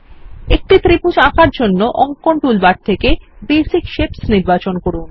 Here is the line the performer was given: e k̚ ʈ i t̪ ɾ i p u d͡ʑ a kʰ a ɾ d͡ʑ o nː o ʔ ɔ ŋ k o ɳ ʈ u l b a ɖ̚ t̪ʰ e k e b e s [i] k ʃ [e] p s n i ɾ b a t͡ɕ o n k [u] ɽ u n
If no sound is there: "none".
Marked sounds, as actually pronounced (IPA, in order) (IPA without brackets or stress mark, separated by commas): i, e, o